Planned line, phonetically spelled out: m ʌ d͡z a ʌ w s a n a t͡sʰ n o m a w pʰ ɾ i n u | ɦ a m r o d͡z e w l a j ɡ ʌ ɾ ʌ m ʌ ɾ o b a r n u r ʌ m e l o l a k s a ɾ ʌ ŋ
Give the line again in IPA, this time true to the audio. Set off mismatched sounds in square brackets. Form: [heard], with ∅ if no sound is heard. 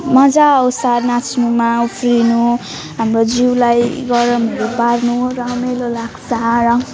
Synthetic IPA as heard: m ʌ d͡z a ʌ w s a n a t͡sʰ n [u] m a [u] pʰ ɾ i n u | ɦ a m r o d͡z [i] w l a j ɡ ʌ ɾ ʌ m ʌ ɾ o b a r n u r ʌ m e l o l a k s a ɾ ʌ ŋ

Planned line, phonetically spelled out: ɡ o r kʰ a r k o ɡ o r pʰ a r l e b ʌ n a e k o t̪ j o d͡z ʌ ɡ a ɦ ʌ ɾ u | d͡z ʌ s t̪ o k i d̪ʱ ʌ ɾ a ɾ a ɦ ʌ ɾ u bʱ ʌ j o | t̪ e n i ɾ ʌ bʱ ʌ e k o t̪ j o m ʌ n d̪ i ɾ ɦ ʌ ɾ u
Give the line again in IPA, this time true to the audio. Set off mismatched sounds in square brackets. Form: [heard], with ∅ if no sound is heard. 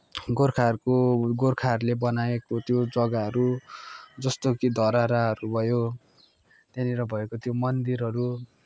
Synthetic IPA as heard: ɡ o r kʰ a r k o ɡ o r [kʰ] a r l e b ʌ n a e k o t̪ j o d͡z ʌ ɡ a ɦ ʌ ɾ u | d͡z ʌ s t̪ o k i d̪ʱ ʌ ɾ a ɾ a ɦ ʌ ɾ u bʱ ʌ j o | t̪ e n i ɾ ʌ bʱ ʌ e k o t̪ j o m ʌ n d̪ i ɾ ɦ ʌ ɾ u

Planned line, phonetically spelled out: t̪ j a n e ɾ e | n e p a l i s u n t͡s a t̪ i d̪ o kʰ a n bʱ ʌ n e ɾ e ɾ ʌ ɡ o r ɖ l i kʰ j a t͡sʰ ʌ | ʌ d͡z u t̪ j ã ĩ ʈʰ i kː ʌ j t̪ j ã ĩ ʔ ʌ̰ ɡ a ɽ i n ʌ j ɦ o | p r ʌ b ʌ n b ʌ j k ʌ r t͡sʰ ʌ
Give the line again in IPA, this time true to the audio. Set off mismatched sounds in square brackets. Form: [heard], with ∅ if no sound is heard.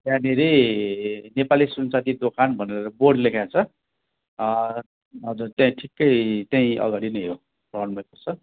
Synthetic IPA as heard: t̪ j a n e ɾ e | n e p a l i s u n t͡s a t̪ i d̪ o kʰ a n bʱ ʌ n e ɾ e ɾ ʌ [b] o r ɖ l [e] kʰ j a t͡sʰ ʌ | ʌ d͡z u t̪ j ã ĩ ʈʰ i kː ʌ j t̪ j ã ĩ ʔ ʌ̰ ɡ a ɽ i n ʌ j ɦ o | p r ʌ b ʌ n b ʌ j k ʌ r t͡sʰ ʌ

